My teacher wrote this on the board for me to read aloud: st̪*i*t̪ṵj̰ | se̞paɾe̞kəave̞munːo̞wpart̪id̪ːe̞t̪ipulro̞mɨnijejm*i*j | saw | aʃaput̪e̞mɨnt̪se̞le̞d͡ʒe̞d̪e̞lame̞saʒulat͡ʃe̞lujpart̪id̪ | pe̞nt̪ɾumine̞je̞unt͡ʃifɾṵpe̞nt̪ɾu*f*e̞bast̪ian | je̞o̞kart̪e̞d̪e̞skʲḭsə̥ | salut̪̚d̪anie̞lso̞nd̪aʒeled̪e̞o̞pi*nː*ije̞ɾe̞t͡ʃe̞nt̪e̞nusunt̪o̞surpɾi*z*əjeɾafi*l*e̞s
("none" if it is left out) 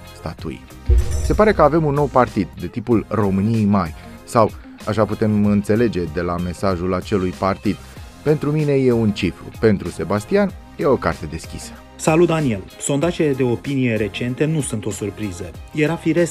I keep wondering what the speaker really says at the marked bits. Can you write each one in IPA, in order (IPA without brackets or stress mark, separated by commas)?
a, a, s, n, z, ɾ